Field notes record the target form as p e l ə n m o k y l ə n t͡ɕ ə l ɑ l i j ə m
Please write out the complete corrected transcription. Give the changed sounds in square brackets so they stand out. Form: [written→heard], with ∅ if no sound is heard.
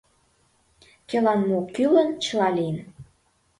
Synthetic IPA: [p→k] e l [ə→ɑ] n m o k y l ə n t͡ɕ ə l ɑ l i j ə [m→n]

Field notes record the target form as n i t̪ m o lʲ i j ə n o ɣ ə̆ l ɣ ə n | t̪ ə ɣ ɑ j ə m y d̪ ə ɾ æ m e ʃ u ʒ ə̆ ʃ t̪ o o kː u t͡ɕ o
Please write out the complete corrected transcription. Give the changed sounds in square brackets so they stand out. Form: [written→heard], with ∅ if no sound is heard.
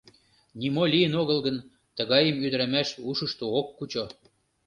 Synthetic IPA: n i [t̪→∅] m o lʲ i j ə n o ɣ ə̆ l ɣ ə n | t̪ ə ɣ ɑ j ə m y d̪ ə ɾ æ m [e→æ] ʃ u [ʒ→ʃ] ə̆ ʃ t̪ o o kː u t͡ɕ o

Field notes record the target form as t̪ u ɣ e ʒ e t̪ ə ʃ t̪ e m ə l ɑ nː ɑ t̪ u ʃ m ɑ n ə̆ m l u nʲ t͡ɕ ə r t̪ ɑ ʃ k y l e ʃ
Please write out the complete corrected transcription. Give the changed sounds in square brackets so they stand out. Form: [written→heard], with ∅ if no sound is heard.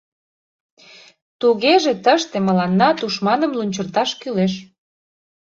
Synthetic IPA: t̪ u ɣ e ʒ e t̪ ə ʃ t̪ e m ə l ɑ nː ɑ t̪ u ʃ m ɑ n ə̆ m l u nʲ t͡ɕ ə r t̪ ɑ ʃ k y l e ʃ

